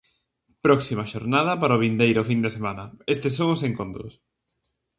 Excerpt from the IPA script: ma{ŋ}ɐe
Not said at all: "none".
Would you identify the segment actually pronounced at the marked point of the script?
n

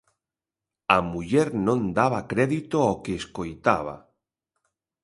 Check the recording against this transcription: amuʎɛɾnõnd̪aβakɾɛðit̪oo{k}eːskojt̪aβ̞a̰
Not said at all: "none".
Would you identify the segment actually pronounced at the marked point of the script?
k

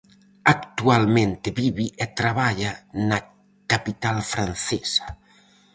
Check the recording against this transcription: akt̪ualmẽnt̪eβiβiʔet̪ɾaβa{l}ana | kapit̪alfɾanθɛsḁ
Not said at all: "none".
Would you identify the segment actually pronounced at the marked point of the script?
ʎ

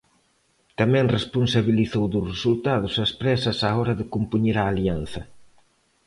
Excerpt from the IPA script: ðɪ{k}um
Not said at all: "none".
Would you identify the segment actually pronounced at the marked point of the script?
k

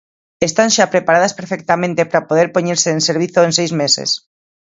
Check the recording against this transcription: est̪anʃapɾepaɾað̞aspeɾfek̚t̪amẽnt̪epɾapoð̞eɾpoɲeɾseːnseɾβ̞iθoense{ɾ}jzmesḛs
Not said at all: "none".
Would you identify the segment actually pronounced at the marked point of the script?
none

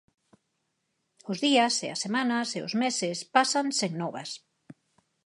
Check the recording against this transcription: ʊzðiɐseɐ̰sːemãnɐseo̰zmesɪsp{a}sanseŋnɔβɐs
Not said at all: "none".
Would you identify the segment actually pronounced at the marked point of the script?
a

